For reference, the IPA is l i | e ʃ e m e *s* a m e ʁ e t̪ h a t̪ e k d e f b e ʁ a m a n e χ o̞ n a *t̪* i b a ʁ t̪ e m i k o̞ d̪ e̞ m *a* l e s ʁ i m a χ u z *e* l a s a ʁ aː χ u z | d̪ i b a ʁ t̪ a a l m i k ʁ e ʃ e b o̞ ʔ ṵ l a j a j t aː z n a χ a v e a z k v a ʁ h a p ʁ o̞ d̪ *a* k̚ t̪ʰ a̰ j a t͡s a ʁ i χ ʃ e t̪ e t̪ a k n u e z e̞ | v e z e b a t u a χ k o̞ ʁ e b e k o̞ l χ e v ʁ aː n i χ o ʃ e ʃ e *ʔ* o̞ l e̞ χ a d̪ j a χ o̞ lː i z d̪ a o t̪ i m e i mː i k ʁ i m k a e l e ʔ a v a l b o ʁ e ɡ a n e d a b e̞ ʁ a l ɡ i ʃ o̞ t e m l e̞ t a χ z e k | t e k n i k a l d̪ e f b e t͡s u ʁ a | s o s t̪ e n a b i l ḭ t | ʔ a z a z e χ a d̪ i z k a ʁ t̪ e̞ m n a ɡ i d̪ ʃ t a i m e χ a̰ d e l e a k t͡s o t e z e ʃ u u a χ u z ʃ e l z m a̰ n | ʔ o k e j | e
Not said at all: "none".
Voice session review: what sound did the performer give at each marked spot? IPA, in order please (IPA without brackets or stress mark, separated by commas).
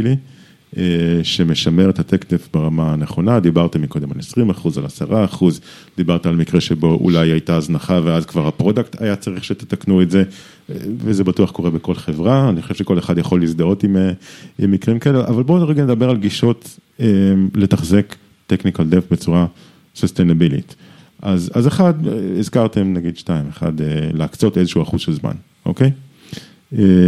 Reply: ʃ, d̪, a, a, a, k